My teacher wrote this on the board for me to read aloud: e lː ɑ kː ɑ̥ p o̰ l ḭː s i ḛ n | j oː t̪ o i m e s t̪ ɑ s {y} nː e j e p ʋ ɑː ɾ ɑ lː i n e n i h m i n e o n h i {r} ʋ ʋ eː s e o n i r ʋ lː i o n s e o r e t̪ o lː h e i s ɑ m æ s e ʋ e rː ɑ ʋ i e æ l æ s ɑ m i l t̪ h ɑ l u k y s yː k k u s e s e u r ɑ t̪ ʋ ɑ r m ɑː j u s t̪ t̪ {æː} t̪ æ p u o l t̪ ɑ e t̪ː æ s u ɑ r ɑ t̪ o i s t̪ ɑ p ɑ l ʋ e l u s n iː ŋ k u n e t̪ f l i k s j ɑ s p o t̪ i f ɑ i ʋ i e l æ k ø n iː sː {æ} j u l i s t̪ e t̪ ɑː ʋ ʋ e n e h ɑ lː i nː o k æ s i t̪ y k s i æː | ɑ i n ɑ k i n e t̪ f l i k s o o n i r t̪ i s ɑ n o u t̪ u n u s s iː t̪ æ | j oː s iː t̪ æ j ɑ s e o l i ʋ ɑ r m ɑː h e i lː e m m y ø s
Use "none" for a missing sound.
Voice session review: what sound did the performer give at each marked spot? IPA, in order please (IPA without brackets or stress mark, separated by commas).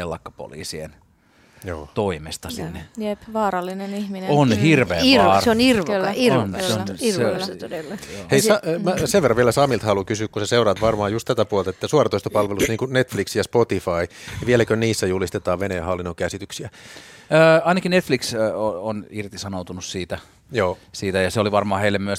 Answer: i, r, æ, æ